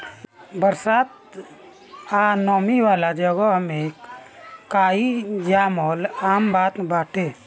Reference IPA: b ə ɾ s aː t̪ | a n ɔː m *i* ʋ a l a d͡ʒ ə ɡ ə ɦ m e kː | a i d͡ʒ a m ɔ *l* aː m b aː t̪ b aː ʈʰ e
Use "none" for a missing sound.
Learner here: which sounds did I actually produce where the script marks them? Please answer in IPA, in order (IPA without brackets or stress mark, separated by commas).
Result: i, l